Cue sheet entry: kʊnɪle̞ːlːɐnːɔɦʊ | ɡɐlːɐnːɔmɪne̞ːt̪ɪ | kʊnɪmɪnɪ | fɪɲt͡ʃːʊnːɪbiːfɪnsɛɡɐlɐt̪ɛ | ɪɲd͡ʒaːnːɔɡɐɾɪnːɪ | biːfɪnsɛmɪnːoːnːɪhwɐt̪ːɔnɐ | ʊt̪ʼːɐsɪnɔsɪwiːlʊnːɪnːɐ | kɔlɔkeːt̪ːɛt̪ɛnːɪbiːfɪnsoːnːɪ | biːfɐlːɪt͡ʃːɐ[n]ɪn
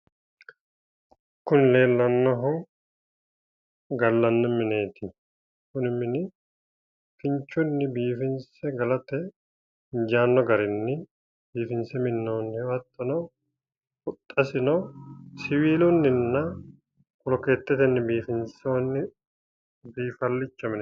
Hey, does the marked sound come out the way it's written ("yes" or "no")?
no